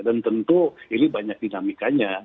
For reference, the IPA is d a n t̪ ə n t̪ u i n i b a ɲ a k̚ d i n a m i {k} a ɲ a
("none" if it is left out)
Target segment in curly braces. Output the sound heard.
k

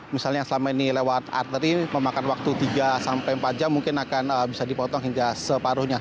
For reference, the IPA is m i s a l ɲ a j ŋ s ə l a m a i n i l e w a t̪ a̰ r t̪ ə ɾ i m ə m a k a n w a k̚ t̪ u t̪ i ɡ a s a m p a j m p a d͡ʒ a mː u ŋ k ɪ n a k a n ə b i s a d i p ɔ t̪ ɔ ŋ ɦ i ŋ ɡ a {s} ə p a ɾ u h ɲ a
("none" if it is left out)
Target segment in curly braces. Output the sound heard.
s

